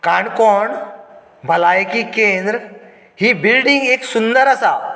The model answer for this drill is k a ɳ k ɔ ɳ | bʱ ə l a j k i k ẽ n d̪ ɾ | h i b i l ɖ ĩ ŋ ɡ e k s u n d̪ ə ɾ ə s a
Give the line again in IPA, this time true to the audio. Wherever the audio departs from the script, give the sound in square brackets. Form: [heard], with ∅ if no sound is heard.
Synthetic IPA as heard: k a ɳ k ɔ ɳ | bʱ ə l a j k i k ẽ n d̪ ɾ | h i b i l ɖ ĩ ŋ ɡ e k s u n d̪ ə ɾ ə s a